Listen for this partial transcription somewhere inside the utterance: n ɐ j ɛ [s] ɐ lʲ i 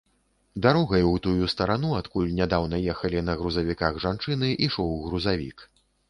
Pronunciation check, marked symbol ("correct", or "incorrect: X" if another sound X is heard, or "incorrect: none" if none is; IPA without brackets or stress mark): incorrect: x